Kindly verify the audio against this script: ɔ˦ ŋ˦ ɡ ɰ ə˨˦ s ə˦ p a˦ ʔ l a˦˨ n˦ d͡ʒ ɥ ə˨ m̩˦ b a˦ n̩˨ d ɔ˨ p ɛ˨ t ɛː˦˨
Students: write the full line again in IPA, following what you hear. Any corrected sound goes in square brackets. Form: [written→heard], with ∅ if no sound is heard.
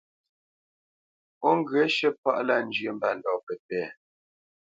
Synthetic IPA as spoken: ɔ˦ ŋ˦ ɡ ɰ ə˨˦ [s→ʃ] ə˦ p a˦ ʔ l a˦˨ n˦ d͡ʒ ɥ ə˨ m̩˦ b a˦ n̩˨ d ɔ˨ p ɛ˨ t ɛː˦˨